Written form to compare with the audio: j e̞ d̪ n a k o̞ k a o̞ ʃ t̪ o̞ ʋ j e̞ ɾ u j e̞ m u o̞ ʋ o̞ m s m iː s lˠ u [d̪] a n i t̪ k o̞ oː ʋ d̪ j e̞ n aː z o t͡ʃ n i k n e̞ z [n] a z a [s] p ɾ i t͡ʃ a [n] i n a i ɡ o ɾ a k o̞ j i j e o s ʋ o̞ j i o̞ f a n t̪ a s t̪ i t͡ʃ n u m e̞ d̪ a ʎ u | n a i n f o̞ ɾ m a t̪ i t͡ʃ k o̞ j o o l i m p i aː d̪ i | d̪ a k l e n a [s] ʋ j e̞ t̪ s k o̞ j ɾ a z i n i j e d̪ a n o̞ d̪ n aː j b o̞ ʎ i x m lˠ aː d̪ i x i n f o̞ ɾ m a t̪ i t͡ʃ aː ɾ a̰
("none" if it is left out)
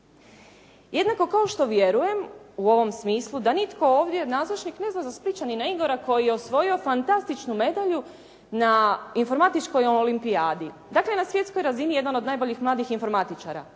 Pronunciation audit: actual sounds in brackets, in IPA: d̪, n, s, n, s

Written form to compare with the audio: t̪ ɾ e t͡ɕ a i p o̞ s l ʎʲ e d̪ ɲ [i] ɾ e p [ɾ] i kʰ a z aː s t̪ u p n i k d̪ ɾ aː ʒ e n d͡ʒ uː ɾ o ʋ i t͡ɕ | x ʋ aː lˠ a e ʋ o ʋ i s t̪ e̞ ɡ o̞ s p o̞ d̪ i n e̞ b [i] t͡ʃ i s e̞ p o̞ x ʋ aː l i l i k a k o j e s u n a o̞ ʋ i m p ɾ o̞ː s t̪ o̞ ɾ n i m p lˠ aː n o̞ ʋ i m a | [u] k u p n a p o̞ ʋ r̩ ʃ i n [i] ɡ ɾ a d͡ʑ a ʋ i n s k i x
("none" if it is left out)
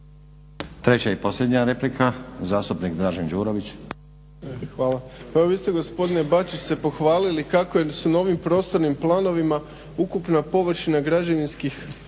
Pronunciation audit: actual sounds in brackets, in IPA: a, l, a, u, a

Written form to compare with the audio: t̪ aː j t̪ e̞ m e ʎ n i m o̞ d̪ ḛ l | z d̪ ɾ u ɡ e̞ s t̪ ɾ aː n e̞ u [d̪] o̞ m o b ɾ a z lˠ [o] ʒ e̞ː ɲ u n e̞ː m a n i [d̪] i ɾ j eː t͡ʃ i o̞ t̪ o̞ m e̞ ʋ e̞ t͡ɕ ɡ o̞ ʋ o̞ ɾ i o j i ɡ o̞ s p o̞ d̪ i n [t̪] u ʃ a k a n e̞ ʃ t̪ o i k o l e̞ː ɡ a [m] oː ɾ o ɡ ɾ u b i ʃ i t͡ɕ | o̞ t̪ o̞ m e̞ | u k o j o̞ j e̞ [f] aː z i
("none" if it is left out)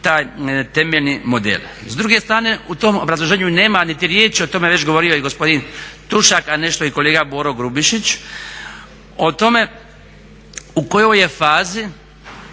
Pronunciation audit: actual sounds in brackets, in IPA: t̪, o, t̪, t̪, b, f

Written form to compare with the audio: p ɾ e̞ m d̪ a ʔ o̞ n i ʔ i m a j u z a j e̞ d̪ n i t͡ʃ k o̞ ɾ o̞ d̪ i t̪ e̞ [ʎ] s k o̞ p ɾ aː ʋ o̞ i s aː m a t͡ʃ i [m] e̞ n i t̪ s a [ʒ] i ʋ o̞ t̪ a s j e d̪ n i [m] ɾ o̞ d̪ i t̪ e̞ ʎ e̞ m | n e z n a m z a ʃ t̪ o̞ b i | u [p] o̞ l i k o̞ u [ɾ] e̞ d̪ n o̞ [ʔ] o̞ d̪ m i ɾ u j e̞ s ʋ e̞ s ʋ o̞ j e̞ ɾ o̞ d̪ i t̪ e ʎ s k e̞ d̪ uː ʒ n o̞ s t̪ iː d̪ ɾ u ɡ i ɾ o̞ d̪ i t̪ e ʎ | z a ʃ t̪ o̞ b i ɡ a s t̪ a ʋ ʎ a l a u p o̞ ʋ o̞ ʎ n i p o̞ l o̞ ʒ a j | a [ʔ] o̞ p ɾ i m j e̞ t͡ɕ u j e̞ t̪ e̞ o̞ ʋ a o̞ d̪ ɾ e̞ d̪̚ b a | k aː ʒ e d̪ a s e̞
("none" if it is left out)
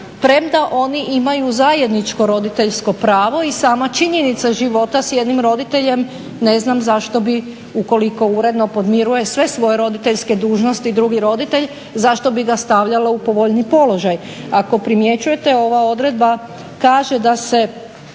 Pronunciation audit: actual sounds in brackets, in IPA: ʎ, ɲ, ʒ, m, k, ɾ, p, k

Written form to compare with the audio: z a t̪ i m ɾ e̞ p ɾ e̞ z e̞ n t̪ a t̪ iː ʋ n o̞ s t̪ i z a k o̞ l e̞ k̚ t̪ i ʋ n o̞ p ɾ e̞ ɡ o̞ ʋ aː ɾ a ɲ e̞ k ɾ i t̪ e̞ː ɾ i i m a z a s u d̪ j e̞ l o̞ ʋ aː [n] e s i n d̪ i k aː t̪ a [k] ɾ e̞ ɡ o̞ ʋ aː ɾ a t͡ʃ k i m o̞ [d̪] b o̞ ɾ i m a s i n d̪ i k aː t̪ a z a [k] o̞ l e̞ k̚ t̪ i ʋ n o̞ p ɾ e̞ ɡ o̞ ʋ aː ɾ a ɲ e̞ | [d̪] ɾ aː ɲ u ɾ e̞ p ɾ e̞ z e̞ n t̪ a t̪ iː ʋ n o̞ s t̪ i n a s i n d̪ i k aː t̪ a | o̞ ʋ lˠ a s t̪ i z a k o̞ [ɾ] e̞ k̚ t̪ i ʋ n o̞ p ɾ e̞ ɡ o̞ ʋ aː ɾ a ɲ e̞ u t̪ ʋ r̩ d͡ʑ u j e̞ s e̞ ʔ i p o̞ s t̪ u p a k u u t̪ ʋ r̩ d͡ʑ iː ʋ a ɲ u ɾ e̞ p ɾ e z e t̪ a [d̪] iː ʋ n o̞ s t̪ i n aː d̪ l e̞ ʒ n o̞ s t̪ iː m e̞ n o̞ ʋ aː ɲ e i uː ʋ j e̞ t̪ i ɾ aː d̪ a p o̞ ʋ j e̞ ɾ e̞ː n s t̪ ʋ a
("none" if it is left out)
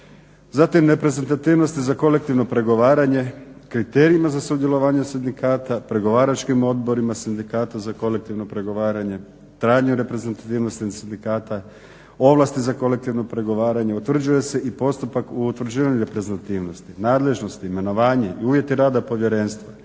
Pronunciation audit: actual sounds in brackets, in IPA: ɲ, p, d̪, k, t̪, l, t̪

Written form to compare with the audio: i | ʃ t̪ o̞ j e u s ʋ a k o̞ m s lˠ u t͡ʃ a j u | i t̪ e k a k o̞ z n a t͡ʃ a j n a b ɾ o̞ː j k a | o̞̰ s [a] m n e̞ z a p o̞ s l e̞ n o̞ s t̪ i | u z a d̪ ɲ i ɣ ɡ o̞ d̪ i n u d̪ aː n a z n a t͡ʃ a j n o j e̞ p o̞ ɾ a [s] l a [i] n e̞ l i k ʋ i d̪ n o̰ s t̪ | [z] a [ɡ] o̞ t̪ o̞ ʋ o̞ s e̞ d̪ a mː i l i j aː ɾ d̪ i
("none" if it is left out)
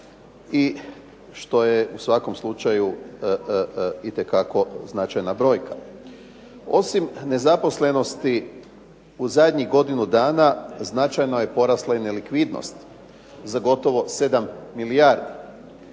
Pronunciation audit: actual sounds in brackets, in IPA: i, s, i, z, ɡ

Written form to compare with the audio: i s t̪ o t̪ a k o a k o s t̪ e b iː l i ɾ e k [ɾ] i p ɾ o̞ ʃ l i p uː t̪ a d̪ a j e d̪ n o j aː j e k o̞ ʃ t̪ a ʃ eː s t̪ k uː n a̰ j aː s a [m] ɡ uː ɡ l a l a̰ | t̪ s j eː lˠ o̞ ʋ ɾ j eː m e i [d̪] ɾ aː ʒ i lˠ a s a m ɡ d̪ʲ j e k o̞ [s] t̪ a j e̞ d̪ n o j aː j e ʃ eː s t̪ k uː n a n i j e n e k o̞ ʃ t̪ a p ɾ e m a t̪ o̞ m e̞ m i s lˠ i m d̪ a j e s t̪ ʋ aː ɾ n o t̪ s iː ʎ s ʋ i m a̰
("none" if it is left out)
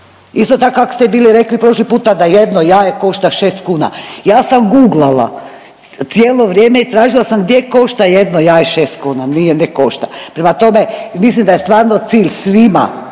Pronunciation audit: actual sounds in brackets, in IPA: l, m, t̪, ʃ

